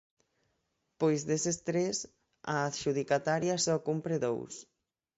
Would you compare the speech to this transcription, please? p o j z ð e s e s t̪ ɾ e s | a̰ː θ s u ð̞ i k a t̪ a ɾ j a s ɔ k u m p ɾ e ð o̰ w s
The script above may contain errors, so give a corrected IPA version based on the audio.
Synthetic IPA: p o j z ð e s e s t̪ ɾ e s | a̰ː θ ʃ u ð̞ i k a t̪ a ɾ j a s ɔ k u m p ɾ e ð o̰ w s